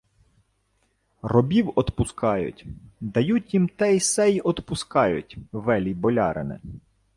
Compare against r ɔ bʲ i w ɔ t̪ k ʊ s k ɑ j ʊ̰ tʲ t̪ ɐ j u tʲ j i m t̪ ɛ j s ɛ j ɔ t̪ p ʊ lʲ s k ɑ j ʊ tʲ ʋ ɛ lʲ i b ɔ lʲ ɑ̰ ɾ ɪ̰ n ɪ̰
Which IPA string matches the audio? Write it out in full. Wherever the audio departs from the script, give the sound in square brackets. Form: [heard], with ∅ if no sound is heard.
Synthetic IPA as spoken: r ɔ bʲ i w ɔ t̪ [p] ʊ s k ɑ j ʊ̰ tʲ [d̪] ɐ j u tʲ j i m t̪ ɛ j s ɛ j ɔ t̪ p ʊ [∅] s k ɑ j ʊ tʲ ʋ ɛ lʲ i b ɔ lʲ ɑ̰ ɾ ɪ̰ n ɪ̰